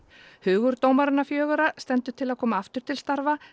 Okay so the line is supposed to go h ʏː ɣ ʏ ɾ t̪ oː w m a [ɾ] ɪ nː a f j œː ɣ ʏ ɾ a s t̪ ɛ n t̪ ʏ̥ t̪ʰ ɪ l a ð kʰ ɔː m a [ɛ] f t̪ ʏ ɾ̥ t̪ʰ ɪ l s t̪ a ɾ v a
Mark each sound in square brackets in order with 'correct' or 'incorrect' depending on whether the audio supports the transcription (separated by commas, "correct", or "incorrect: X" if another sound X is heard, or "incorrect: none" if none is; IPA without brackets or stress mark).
correct, incorrect: a